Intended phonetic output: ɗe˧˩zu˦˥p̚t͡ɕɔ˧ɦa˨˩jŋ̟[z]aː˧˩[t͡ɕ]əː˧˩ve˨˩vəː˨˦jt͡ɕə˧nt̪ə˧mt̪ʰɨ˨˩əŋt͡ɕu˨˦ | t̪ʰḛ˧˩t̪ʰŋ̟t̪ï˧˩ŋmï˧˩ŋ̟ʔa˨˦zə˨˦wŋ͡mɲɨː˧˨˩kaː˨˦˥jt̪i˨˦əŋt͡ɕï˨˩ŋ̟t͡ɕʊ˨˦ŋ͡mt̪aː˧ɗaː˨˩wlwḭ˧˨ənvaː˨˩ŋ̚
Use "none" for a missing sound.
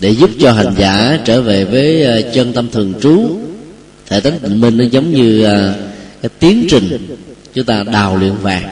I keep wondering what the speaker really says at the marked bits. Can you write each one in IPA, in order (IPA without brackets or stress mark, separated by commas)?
z, t͡ɕ